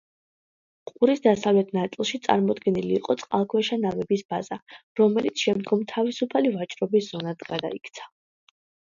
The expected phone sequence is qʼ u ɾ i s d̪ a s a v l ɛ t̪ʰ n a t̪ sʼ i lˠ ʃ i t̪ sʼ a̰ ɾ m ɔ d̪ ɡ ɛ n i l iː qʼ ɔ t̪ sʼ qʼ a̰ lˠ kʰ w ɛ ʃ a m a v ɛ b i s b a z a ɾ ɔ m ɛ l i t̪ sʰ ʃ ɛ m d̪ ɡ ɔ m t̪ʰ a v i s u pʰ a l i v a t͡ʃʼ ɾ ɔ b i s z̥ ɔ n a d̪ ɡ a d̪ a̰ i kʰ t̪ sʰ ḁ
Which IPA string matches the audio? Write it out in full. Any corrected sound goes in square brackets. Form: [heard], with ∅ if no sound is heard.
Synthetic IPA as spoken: qʼ u ɾ i s d̪ a s a v l ɛ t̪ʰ n a t̪ sʼ i lˠ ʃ i t̪ sʼ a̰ ɾ m ɔ d̪ ɡ ɛ n i l iː qʼ ɔ t̪ sʼ qʼ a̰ lˠ kʰ w ɛ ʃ a [n] a v ɛ b i s b a z a ɾ ɔ m ɛ l i t̪ sʰ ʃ ɛ m d̪ ɡ ɔ m t̪ʰ a v i s u pʰ a l i v a t͡ʃʼ ɾ ɔ b i s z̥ ɔ n a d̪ ɡ a d̪ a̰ i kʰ t̪ sʰ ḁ